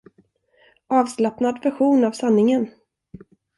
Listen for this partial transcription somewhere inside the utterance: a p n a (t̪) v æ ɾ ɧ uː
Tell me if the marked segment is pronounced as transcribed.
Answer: no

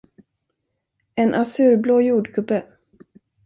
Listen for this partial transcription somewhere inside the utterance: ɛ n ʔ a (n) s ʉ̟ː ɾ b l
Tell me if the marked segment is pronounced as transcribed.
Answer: no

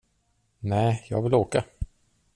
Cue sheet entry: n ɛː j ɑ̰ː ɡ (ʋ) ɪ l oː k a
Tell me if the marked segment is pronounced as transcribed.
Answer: no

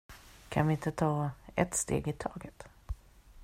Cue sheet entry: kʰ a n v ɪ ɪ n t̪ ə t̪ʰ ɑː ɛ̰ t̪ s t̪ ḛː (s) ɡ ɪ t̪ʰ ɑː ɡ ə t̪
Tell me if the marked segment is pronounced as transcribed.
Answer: no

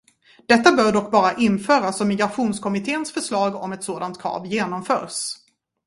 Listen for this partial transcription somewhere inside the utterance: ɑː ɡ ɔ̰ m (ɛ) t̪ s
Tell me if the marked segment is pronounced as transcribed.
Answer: yes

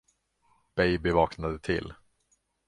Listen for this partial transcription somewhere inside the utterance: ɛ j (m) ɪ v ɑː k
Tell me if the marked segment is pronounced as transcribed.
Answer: no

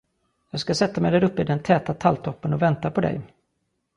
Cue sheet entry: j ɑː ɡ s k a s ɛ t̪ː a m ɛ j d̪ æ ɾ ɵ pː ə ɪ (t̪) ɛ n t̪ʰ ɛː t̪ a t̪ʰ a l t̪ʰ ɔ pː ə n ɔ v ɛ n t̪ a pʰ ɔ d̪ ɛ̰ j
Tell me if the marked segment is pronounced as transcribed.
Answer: no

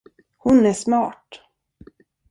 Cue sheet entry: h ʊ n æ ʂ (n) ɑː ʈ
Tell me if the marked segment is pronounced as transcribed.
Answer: no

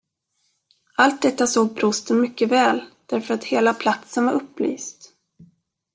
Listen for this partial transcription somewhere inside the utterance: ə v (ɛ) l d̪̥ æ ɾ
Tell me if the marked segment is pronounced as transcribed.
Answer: no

